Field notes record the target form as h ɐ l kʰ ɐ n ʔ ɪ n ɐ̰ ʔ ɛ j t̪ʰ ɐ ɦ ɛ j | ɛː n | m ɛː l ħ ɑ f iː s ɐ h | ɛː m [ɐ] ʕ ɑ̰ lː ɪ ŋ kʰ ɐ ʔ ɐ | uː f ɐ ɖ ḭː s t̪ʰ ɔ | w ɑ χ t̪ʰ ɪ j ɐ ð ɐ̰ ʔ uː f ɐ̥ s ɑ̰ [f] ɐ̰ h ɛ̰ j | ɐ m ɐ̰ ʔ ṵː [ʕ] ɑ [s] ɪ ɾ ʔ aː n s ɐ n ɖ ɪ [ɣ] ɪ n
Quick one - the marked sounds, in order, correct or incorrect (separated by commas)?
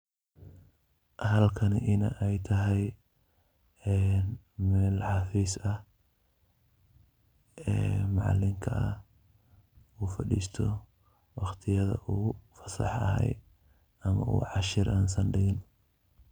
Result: incorrect, incorrect, correct, incorrect, correct